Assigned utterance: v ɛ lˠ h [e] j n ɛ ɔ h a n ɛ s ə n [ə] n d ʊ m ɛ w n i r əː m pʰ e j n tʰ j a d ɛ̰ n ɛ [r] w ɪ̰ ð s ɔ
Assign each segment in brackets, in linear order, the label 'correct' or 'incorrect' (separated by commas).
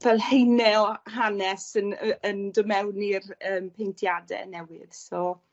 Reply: correct, correct, incorrect